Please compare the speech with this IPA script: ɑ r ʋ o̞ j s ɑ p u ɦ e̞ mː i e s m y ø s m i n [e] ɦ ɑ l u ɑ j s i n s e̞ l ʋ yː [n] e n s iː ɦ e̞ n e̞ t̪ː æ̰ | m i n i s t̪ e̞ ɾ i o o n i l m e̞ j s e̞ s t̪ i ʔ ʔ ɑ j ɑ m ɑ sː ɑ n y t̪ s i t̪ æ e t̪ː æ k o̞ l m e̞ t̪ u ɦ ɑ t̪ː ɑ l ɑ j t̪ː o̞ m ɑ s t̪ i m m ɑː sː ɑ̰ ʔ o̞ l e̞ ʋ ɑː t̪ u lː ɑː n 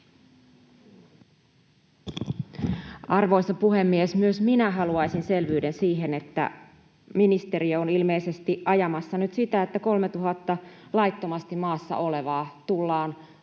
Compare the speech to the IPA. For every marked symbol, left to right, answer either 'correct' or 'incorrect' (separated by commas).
incorrect, incorrect